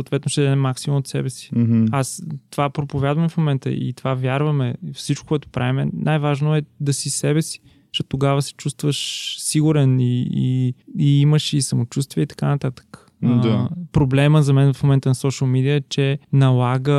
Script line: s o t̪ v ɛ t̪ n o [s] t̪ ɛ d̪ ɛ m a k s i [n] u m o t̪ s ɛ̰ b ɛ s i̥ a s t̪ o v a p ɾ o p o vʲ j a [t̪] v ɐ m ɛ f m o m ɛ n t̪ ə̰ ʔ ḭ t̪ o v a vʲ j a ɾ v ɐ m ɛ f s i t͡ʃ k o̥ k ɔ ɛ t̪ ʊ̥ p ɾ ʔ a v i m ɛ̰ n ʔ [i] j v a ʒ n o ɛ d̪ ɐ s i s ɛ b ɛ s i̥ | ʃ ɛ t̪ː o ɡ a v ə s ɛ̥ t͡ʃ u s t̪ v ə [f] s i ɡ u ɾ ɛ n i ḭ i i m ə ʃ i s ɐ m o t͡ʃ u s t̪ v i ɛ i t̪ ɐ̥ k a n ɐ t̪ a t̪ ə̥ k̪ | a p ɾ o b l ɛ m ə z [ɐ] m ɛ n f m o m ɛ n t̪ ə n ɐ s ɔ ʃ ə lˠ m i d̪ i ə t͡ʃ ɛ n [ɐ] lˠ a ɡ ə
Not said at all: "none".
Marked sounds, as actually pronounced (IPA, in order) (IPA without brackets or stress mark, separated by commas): ʃ, m, d̪, a, ʃ, ɐ, ɐ